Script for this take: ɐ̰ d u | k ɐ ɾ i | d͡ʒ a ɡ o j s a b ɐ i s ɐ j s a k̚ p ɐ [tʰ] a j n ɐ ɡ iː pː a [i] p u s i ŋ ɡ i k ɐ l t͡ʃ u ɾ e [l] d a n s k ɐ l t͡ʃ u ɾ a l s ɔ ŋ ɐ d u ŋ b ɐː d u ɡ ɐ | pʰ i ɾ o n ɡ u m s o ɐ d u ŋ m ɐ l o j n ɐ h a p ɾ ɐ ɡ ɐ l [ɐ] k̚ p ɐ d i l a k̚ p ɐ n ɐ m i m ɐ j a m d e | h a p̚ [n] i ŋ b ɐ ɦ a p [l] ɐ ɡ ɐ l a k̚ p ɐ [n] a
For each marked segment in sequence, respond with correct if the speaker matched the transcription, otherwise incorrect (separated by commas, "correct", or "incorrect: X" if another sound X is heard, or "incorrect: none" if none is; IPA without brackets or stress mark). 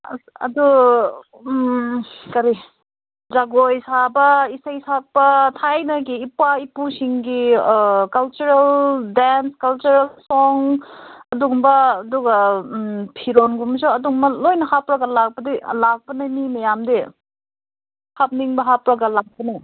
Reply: correct, correct, correct, incorrect: a, correct, incorrect: ɾ, correct